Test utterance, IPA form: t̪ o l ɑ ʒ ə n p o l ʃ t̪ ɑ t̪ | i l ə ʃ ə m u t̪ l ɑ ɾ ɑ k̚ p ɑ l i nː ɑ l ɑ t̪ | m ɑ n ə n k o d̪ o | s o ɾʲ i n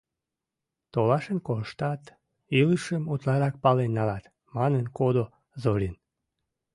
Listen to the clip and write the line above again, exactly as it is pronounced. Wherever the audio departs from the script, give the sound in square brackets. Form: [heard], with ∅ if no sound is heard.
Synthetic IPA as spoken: t̪ o l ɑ [ʃ] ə n [k] o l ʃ t̪ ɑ t̪ | i l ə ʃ ə m u t̪ l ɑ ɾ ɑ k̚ p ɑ l [e] nː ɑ l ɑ t̪ | m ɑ n ə n k o d̪ o | [z] o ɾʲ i n

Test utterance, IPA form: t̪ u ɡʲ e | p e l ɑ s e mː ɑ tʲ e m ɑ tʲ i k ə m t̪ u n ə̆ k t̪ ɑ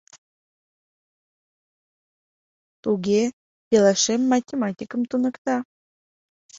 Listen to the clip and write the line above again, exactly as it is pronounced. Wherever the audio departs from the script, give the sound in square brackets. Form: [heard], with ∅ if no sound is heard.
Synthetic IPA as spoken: t̪ u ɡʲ e | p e l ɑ [ʃ] e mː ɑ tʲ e m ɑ tʲ i k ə m t̪ u n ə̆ k t̪ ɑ

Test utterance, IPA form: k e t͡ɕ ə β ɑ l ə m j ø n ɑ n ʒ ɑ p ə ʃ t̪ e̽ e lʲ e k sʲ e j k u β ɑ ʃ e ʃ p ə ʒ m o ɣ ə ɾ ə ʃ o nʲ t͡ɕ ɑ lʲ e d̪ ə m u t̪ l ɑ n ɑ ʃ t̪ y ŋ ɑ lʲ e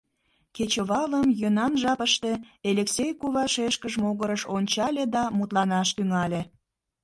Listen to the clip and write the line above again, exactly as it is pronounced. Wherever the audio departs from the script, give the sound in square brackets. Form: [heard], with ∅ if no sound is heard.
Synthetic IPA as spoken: k e t͡ɕ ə β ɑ l ə m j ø n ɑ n ʒ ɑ p ə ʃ t̪ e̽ e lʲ e k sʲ e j k u β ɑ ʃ e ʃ [k] ə ʒ m o ɣ ə ɾ ə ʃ o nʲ t͡ɕ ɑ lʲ e d̪ [ɑ] m u t̪ l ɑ n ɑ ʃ t̪ y ŋ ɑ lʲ e

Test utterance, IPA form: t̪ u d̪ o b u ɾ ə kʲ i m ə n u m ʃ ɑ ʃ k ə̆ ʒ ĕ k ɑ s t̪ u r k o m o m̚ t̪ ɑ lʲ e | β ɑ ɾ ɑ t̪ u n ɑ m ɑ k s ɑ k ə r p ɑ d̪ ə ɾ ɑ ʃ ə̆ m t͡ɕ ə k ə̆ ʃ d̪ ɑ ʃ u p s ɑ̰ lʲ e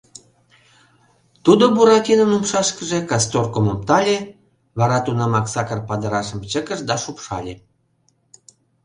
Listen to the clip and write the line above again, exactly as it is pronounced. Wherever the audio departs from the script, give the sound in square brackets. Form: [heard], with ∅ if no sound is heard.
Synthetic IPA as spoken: t̪ u d̪ o b u ɾ [ɑ] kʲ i [n] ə n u m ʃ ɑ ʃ k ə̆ ʒ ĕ k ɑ s t̪ [o] r k o m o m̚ t̪ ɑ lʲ e | β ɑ ɾ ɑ t̪ u n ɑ m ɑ k s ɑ k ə r p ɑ d̪ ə ɾ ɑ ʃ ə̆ m t͡ɕ ə k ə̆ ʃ d̪ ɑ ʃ u p [ʃ] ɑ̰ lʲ e

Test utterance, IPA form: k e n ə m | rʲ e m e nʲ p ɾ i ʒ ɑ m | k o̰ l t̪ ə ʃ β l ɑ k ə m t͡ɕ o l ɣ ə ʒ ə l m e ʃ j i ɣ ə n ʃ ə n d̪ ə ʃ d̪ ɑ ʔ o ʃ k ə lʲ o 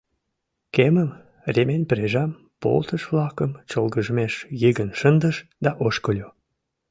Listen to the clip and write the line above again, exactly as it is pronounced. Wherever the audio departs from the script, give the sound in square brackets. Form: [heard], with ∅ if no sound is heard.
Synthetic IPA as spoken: k e [m] ə m | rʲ e m e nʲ p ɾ [e] ʒ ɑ m | [p] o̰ l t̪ ə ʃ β l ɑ k ə m t͡ɕ o l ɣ ə ʒ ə [∅] m e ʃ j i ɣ ə n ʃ ə n d̪ ə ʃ d̪ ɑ ʔ o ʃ k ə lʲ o

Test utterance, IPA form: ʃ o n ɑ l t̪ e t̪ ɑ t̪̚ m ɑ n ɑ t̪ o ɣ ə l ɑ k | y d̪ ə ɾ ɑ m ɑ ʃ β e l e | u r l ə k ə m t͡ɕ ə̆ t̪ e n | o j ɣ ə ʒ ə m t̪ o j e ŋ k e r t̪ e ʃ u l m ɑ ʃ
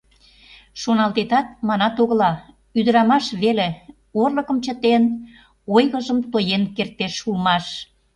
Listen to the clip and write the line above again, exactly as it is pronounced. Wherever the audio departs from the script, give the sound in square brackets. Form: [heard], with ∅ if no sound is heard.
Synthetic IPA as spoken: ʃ o n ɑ l t̪ e t̪ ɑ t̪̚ m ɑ n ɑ t̪ o ɣ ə l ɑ [∅] | y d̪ ə ɾ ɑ m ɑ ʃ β e l e | [o] r l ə k ə m t͡ɕ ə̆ t̪ e n | o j ɣ ə ʒ ə m t̪ o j e [n] k e r t̪ e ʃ u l m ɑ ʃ

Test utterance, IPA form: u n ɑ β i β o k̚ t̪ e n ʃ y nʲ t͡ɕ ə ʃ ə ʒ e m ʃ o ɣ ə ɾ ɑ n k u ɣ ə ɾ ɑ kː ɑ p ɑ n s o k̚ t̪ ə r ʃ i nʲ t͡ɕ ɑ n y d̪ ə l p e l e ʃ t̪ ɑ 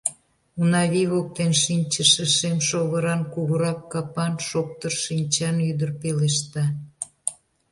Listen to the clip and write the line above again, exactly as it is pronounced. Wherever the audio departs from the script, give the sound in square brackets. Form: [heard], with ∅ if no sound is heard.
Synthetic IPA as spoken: u n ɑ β i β o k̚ t̪ e n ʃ [i] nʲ t͡ɕ ə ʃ ə [ʃ] e m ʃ o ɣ ə ɾ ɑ n k u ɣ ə ɾ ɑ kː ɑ p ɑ n [ʃ] o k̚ t̪ ə r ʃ i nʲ t͡ɕ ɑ n y d̪ ə [r] p e l e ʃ t̪ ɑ

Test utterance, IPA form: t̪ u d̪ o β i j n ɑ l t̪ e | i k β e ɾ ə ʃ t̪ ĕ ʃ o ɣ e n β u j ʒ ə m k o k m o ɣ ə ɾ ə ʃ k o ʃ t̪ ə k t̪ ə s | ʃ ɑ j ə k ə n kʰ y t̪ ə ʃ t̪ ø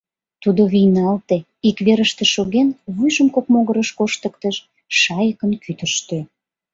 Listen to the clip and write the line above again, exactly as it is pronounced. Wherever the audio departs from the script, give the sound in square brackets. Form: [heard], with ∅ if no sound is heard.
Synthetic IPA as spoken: t̪ u d̪ o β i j n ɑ l t̪ e | i k β e ɾ ə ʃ t̪ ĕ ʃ o ɣ e n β u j ʒ ə m k o k m o ɣ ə ɾ ə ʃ k o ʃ t̪ ə k t̪ ə [ʃ] | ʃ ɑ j ə k ə n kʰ y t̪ ə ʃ t̪ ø

